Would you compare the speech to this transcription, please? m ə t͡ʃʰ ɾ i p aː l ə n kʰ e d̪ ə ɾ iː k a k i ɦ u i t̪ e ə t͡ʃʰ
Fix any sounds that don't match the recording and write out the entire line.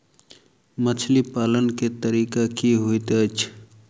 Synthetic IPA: m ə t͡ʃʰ l i p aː l ə n k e t̪ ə ɾ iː k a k i ɦ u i t̪ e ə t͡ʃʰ

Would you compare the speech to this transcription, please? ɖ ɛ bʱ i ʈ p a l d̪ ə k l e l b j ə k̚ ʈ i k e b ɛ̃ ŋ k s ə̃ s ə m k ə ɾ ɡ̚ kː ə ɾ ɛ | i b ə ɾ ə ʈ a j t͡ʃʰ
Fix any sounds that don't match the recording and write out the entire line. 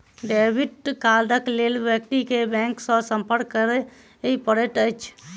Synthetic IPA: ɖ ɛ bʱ i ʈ k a l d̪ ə k l e l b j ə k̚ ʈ i k e b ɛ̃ ŋ k s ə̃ s ə m p ə ɾ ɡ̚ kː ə ɾ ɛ | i p ə ɾ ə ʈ ə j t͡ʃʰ

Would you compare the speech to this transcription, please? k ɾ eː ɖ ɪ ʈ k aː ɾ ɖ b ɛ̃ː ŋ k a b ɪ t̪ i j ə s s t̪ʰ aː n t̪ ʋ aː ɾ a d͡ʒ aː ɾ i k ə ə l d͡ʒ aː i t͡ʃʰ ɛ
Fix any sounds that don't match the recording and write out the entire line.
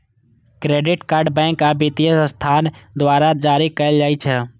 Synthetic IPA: k ɾ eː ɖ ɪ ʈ k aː ɾ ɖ b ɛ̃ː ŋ k a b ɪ t̪ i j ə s s t̪ʰ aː n d̪ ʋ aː ɾ a d͡ʒ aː ɾ i k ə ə l d͡ʒ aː i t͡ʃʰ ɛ

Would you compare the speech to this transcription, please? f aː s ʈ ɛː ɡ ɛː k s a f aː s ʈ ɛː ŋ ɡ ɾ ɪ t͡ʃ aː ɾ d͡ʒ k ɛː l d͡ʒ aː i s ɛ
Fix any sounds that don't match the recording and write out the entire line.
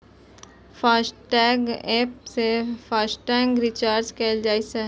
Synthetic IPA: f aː s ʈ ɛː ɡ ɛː p s e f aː s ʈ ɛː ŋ ɡ ɾ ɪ t͡ʃ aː ɾ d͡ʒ k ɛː l d͡ʒ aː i s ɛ

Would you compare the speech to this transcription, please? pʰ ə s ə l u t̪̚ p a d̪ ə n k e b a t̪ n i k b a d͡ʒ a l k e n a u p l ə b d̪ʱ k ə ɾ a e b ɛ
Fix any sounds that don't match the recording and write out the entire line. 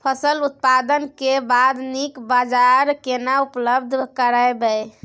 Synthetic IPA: pʰ ə s ə l u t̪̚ p a d̪ ə n k e b a d̪ n i k b a d͡ʒ a ɾ k e n a u p l ə b d̪ʱ k ə ɾ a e b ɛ

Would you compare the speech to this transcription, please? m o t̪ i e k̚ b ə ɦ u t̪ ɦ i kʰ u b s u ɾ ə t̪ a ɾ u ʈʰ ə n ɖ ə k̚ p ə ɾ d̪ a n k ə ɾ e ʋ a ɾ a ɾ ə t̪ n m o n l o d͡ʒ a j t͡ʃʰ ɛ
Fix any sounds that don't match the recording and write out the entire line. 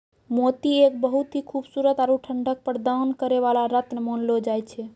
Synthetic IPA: m o t̪ i e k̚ b ə ɦ u t̪ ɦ i kʰ u b s u ɾ ə t̪ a ɾ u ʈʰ ə ɳ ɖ ə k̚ p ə ɾ d̪ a n k ə ɾ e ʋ a l a ɾ ə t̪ n m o n l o d͡ʒ a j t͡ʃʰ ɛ

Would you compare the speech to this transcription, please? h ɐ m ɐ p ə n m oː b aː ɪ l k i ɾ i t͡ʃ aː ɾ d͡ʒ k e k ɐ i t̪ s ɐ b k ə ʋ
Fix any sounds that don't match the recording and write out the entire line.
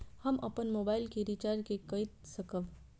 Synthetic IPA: h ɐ m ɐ p ə n m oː b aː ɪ l k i ɾ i t͡ʃ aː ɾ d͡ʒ k e k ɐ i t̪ s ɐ k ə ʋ

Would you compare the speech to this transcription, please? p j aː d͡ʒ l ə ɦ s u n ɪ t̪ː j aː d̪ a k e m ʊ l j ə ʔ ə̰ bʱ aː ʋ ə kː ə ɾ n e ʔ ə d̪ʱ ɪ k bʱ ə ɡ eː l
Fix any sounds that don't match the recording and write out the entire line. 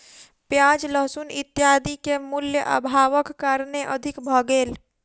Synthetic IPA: p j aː d͡ʒ l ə ɦ s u n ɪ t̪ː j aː d̪ i k e m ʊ l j ə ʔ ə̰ bʱ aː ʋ ə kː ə ɾ n e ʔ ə d̪ʱ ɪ k bʱ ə ɡ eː l

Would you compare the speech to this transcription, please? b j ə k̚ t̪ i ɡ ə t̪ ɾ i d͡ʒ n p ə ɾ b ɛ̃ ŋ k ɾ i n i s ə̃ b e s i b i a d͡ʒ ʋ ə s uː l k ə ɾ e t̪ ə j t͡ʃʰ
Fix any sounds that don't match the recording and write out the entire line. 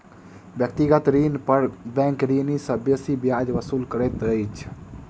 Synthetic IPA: b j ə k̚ t̪ i ɡ ə t̪ ɾ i n p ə ɾ b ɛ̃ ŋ k ɾ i n i s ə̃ b e s i b j a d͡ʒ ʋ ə s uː l k ə ɾ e t̪ ə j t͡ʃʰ

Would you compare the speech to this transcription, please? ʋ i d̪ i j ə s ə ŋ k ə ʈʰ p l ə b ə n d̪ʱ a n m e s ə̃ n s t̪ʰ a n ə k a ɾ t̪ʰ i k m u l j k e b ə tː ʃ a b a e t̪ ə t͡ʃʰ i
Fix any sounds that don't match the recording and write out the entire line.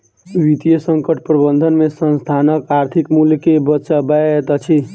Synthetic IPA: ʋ i t̪ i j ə s ə ŋ k ə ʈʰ p ɾ ə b ə n d̪ʱ ə n m e s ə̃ n s t̪ʰ a n ə k a ɾ t̪ʰ i k m u l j k e b ə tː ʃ a b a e t̪ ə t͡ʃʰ i

